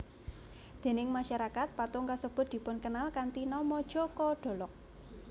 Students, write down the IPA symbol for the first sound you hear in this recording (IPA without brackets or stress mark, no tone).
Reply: d̪̥